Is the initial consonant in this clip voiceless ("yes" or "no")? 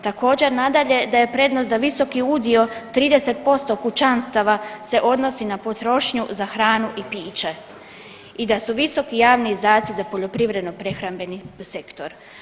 yes